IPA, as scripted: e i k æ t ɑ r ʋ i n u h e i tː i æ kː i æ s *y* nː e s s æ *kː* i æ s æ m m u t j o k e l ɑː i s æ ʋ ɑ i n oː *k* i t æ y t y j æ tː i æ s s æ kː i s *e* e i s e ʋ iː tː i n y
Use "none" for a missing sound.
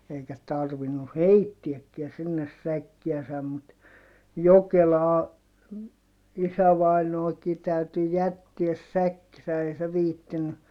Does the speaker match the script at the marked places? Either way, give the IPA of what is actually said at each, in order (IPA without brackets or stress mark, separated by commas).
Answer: i, kː, k, æ